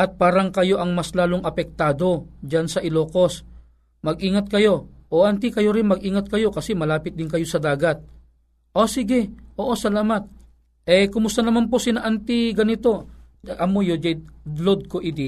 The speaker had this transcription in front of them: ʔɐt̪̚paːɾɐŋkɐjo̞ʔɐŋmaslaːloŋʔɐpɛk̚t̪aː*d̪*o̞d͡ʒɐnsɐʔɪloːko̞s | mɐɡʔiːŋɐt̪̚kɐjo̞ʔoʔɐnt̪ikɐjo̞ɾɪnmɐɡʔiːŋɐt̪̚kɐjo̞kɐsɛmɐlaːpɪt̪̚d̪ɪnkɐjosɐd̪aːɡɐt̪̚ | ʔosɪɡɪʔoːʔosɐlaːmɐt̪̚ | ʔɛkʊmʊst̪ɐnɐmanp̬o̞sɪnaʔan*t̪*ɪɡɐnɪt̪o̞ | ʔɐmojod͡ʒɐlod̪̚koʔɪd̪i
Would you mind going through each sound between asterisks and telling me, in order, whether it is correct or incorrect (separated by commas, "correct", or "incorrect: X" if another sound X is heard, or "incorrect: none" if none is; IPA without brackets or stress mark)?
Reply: correct, correct